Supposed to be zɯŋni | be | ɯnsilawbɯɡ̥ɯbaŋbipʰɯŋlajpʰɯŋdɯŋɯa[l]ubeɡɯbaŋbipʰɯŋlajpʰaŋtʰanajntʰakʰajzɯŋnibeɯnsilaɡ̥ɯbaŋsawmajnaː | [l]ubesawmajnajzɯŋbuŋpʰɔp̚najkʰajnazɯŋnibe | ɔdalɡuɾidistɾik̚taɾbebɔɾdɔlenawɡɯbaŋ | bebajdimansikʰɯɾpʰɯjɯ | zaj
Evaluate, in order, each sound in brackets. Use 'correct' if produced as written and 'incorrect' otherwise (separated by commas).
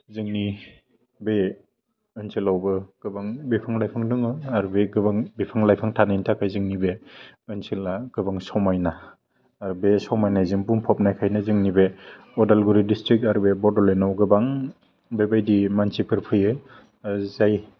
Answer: incorrect, incorrect